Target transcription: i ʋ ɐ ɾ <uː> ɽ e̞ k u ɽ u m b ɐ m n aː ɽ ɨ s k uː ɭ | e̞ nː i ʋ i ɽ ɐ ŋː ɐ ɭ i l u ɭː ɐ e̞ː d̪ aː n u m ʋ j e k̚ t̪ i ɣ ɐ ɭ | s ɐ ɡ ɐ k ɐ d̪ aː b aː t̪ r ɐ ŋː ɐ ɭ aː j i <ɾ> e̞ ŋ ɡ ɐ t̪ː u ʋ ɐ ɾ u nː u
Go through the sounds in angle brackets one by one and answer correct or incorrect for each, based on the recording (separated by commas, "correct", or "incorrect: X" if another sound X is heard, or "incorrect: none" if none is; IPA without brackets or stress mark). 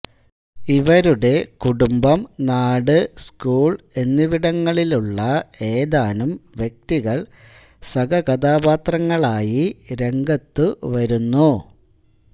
incorrect: u, correct